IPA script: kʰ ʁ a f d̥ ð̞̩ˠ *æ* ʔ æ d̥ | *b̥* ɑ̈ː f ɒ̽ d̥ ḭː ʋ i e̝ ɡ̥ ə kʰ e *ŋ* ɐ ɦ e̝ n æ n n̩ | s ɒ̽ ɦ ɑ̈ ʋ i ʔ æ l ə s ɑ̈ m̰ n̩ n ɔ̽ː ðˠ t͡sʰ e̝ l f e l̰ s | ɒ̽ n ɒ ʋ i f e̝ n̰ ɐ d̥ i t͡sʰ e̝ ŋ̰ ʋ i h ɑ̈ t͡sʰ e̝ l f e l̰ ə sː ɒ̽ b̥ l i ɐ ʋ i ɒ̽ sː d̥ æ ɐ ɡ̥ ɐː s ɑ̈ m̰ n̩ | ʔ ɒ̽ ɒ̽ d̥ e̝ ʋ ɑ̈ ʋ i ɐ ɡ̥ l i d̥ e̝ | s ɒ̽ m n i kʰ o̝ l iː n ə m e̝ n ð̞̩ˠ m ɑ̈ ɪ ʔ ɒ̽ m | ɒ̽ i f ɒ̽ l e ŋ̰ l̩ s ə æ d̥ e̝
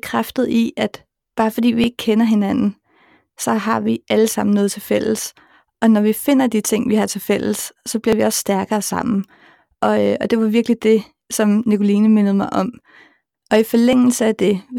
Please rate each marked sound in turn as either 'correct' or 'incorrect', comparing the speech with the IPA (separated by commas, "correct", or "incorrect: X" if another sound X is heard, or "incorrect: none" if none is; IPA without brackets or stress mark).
incorrect: i, correct, incorrect: n